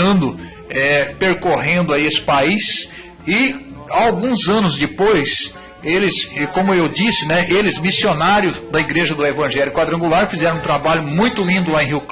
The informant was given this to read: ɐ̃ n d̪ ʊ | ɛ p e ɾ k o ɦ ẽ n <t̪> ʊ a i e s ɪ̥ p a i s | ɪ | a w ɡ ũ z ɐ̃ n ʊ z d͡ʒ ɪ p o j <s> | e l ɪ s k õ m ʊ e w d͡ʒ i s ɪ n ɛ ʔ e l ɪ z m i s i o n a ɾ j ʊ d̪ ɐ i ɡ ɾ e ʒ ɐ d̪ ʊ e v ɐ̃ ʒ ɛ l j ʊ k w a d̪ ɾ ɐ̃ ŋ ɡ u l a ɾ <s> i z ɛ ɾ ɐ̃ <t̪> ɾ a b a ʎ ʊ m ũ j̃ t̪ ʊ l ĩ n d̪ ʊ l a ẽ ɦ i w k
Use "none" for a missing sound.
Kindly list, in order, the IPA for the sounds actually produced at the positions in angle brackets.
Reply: d̪, s, f, t̪

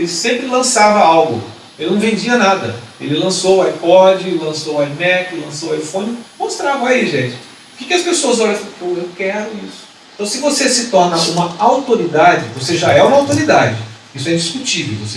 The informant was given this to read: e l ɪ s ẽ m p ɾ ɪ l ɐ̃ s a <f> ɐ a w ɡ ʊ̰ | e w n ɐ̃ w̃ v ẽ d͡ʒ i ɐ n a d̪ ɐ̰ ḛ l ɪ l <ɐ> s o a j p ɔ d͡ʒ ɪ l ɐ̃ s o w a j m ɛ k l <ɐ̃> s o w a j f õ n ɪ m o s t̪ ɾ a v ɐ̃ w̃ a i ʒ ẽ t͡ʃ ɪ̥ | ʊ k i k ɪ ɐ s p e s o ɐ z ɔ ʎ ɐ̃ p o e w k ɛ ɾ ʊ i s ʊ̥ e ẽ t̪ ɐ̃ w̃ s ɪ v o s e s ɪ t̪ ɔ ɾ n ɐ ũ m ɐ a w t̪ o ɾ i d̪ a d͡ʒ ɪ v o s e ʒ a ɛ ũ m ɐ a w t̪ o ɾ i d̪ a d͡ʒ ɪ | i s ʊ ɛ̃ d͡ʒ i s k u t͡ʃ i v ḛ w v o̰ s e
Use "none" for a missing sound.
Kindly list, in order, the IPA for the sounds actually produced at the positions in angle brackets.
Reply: v, ɐ̃, ɐ̃

